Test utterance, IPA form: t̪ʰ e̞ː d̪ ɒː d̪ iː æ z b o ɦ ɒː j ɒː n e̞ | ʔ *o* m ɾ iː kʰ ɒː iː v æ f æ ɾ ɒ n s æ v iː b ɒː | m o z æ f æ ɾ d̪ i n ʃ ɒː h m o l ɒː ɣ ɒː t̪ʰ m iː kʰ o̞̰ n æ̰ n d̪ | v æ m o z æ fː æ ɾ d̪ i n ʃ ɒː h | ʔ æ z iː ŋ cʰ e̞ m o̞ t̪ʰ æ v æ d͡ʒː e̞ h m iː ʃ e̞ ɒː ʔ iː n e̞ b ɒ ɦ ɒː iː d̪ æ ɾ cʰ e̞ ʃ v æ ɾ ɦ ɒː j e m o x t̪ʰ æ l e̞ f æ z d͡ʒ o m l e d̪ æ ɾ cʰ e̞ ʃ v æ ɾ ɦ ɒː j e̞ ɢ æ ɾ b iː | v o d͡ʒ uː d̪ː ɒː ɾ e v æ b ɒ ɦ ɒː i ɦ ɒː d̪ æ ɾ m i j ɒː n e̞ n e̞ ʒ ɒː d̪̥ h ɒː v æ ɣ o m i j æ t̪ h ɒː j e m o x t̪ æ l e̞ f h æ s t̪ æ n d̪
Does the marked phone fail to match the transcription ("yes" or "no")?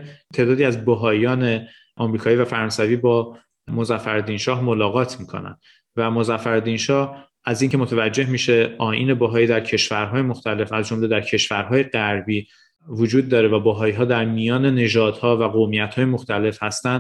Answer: yes